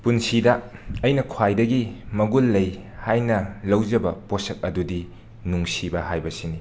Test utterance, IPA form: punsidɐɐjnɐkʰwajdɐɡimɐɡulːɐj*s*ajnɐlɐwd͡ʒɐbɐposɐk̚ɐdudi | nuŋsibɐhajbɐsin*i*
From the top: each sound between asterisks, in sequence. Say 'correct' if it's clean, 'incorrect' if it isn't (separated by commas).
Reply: incorrect, correct